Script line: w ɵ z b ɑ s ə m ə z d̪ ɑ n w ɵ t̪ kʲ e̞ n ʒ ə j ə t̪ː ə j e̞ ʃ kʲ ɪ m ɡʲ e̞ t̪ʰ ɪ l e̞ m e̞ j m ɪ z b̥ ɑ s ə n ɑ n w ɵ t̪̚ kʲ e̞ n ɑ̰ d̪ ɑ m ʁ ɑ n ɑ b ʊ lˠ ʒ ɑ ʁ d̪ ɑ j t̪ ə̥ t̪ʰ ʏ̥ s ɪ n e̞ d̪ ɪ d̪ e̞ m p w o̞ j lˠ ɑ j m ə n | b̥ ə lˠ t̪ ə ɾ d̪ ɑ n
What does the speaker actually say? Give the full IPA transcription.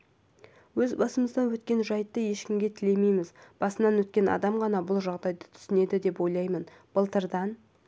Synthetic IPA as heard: w ɵ z b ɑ s ə m ə z d̪ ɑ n w ɵ t̪ kʲ e̞ n ʒ ɑ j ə t̪ː ə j e̞ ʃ kʲ ɪ m ɡʲ e̞ t̪ʰ ɪ l e̞ m e̞ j m ɪ z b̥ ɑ s ə n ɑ n w ɵ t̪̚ kʲ e̞ n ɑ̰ d̪ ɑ m ʁ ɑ n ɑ b ʊ lˠ ʒ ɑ ʁ d̪ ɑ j d̪ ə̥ t̪ʰ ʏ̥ s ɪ n e̞ d̪ ɪ d̪ e̞ p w o̞ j lˠ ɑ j m ə n | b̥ ə lˠ t̪ ə ɾ d̪ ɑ n